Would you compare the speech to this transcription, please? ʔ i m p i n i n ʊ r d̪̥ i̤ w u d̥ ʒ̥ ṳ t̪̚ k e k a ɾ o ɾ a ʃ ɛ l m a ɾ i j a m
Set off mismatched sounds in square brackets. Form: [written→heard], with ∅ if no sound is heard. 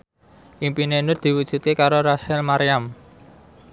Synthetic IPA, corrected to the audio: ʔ i m p i n [i→e] n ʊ r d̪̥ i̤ w u d̥ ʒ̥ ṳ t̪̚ k e k a ɾ o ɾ a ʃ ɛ l m a ɾ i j a m